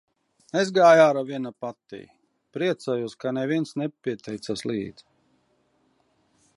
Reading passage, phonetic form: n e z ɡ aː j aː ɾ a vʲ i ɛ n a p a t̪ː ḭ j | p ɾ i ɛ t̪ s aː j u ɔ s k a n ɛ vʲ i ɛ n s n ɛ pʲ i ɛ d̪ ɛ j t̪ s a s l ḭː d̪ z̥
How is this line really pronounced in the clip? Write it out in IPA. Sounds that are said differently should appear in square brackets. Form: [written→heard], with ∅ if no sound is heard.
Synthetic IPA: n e z ɡ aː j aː ɾ a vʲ i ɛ n a p a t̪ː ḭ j | p ɾ i ɛ t̪ s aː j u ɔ s k a n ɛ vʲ i ɛ n s n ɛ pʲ i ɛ [d̪→t̪] ɛ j t̪ s a s l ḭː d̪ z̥

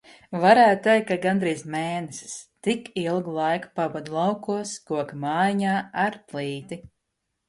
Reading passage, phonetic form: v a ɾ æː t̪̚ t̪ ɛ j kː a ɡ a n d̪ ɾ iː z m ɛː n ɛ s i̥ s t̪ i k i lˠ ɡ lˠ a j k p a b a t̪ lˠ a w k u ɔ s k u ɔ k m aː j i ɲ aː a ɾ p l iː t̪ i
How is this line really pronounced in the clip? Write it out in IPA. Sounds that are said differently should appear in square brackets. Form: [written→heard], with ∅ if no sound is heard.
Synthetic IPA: v a ɾ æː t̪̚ t̪ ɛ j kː a ɡ a n d̪ ɾ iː z m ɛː n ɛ s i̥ s t̪ i k i lˠ ɡ lˠ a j k p a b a [t̪→d̪] lˠ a w k u ɔ s k u ɔ k m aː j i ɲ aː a ɾ p l iː t̪ i

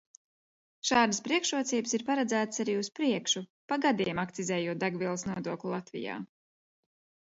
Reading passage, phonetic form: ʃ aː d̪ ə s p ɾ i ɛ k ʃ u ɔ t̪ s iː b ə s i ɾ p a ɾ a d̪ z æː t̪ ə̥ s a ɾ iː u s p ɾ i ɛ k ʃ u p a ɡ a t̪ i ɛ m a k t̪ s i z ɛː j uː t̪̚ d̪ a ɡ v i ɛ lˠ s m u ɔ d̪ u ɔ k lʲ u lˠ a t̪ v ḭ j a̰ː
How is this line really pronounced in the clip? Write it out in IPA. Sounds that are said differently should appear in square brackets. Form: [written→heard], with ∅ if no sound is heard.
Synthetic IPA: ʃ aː d̪ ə s p ɾ i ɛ k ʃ u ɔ t̪ s iː b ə s i ɾ p a ɾ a d̪ z æː t̪ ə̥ s a ɾ iː u s p ɾ i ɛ k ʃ u p a ɡ a [t̪→d̪] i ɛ m a k t̪ s i z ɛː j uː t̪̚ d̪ a ɡ v i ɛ lˠ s [m→n] u ɔ d̪ u ɔ k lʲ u lˠ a t̪ v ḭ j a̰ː

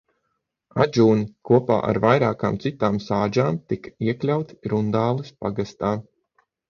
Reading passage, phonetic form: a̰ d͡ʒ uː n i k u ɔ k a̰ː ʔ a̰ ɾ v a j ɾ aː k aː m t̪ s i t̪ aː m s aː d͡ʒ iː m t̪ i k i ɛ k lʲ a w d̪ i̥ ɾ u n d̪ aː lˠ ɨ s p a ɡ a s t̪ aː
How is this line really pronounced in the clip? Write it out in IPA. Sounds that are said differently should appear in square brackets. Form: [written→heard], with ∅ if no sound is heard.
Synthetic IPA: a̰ d͡ʒ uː n i k u ɔ [k→p] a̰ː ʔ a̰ ɾ v a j ɾ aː k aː m t̪ s i t̪ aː m s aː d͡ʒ [iː→aː] m t̪ i k i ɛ k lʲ a w [d̪→t̪] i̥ ɾ u n d̪ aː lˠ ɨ s p a ɡ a s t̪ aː

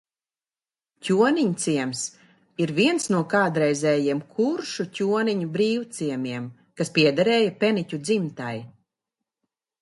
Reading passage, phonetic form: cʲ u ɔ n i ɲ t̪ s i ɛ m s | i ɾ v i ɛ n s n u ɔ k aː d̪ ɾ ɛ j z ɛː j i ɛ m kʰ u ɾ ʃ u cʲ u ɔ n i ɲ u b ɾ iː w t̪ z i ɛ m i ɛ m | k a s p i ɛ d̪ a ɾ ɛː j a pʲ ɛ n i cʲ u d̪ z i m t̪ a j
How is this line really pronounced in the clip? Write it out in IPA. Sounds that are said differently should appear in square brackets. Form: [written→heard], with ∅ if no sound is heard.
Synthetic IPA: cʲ u ɔ n i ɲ t̪ s i ɛ m s | i ɾ v i ɛ n s n u ɔ k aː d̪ ɾ ɛ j z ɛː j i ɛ m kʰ u ɾ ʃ u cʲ u ɔ n i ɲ u b ɾ iː w t̪ [z→s] i ɛ m i ɛ m | k a s p i ɛ d̪ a ɾ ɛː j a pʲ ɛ n i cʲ u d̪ z i m t̪ a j

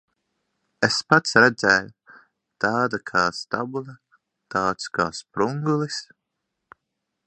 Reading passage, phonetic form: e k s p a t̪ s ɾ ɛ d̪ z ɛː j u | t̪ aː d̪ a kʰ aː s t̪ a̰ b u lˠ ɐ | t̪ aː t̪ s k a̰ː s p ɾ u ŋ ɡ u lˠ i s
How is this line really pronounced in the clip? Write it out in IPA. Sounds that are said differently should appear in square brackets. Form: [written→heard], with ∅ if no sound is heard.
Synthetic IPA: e [k→∅] s p a t̪ s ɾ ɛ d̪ z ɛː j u | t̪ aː d̪ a kʰ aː s t̪ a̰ b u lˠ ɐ | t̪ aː t̪ s k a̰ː s p ɾ u ŋ ɡ u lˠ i s

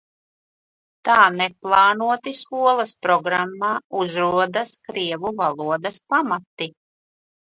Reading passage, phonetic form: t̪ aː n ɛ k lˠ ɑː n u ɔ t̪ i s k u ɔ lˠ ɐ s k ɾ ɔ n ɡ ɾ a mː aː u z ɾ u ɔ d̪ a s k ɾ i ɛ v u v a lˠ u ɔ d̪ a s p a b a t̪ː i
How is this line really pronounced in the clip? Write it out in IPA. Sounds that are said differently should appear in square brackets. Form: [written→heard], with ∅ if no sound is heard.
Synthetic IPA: t̪ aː n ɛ [k→p] lˠ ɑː n u ɔ t̪ i s k u ɔ lˠ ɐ s [k→p] ɾ ɔ [n→∅] ɡ ɾ a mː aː u z ɾ u ɔ d̪ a s k ɾ i ɛ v u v a lˠ u ɔ d̪ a s p a [b→m] a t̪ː i

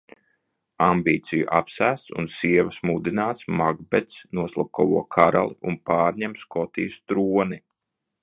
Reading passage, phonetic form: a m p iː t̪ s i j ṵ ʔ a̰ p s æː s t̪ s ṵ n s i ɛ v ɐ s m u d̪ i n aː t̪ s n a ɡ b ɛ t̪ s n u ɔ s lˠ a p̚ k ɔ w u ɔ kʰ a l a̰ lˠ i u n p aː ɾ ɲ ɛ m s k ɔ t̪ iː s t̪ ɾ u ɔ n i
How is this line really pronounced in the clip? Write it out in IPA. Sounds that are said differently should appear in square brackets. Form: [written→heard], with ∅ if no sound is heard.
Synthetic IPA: a m [p→b] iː t̪ s i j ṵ ʔ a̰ p s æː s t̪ s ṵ n s i ɛ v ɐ s m u d̪ i n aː t̪ s [n→m] a ɡ b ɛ t̪ s n u ɔ s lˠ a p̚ k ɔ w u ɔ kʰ a [l→ɾ] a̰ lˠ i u n p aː ɾ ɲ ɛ m s k ɔ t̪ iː s t̪ ɾ u ɔ n i

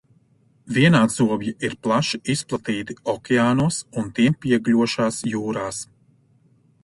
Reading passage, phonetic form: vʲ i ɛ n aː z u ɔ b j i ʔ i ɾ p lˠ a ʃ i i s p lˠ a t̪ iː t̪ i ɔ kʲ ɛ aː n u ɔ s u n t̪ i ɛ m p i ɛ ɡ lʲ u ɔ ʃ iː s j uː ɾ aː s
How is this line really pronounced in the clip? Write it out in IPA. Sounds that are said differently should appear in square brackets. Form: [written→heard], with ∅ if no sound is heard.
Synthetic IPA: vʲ i ɛ n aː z u ɔ b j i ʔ i ɾ p lˠ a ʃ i i s p lˠ a t̪ iː t̪ i ɔ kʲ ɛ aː n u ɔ s u n t̪ i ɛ m p i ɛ ɡ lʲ u ɔ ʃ [iː→aː] s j uː ɾ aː s

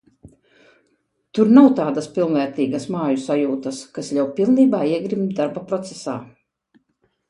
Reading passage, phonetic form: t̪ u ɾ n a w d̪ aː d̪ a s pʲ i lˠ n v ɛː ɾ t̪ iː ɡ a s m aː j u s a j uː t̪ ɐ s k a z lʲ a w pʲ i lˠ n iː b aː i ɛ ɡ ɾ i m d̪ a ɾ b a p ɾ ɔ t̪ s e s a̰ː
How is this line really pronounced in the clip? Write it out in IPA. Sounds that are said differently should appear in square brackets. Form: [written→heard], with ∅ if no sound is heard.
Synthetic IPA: t̪ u ɾ n a w [d̪→t̪] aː d̪ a s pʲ i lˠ n v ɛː ɾ t̪ iː ɡ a s m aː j u s a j uː t̪ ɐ s k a [z→s] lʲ a w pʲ i lˠ n iː b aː i ɛ ɡ ɾ i m d̪ a ɾ b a p ɾ ɔ t̪ s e s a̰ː

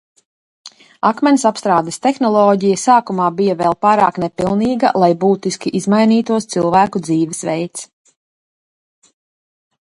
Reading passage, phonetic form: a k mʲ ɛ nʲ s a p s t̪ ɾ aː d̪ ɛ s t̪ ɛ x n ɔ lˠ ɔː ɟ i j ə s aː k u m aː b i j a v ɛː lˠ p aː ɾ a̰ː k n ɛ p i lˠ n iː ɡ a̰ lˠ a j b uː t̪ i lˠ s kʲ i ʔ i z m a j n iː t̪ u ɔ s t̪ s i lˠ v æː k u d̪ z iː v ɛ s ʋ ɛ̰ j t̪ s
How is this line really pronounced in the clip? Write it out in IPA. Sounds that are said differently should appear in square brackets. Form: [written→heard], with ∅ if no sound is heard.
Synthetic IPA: a k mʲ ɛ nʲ s a p s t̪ ɾ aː d̪ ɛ s t̪ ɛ x n ɔ lˠ ɔː ɟ i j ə s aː k u m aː b i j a v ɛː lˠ p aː ɾ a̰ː k n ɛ p i lˠ n iː ɡ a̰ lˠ a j b uː t̪ i [lˠ→∅] s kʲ i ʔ i z m a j n iː t̪ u ɔ s t̪ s i lˠ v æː k u d̪ z iː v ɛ s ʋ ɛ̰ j t̪ s

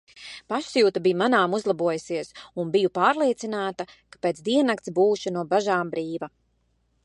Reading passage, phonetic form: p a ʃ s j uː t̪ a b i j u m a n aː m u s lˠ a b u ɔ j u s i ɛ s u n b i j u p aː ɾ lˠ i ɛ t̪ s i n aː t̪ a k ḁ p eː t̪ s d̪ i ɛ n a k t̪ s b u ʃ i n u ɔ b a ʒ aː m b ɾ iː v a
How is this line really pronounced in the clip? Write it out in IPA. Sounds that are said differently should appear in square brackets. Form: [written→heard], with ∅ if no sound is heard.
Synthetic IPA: p a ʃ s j uː t̪ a b i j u m a n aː m u [s→z] lˠ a b u ɔ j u s i ɛ s u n b i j u p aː ɾ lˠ i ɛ t̪ s i n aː t̪ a k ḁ p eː t̪ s d̪ i ɛ n a k t̪ s b [u→uː] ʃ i n u ɔ b a ʒ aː m b ɾ iː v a

